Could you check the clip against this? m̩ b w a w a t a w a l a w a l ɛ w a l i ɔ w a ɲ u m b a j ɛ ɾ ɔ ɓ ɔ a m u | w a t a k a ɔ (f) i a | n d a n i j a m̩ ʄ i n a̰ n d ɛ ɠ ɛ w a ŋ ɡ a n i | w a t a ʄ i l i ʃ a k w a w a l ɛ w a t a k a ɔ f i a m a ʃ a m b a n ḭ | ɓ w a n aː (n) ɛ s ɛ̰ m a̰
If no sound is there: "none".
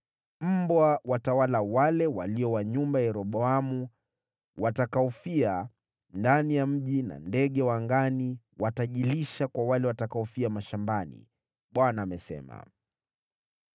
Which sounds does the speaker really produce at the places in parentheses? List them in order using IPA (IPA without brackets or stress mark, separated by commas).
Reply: f, m